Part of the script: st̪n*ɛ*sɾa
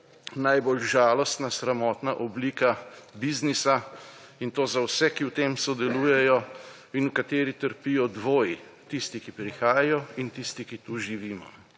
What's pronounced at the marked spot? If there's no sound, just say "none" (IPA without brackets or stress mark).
a